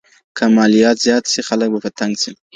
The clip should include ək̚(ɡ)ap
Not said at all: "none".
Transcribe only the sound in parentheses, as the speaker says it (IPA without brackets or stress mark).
b